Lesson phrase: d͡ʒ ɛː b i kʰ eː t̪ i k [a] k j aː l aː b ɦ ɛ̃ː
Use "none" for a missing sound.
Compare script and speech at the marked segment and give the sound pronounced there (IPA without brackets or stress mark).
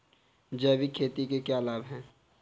e